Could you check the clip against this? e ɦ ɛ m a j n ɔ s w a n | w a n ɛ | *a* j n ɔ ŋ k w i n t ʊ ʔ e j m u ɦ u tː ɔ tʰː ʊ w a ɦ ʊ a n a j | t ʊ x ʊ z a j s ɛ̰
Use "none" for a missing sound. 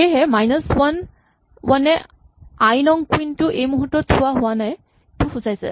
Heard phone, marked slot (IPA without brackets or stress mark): a